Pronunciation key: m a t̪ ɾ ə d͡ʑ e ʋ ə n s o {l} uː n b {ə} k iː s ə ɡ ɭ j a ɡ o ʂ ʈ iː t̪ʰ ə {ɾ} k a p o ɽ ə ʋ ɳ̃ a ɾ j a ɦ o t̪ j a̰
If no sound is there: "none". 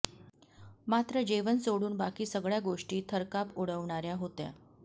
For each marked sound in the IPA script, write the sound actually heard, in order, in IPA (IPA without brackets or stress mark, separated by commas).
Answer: ɽ, a, ɾ